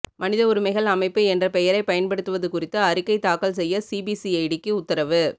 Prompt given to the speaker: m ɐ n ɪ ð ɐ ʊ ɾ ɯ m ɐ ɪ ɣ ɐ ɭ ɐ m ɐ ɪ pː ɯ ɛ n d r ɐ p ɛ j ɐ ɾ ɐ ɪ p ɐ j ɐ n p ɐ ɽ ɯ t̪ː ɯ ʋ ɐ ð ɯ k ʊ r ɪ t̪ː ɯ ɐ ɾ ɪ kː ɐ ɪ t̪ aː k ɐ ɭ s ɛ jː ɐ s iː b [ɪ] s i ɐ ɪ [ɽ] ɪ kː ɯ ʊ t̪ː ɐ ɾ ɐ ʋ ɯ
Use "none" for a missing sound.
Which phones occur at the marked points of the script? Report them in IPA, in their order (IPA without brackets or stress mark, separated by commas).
i, ɽ